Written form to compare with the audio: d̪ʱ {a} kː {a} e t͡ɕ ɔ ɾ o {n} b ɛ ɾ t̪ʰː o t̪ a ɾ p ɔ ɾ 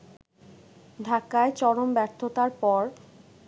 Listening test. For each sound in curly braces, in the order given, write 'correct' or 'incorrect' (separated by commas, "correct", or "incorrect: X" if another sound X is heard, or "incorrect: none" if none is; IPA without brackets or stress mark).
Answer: correct, correct, incorrect: m